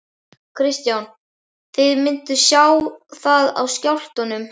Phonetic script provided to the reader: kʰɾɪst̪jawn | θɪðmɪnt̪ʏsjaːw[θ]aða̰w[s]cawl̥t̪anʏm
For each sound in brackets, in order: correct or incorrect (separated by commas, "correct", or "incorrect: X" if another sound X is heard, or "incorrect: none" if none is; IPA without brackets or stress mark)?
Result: correct, correct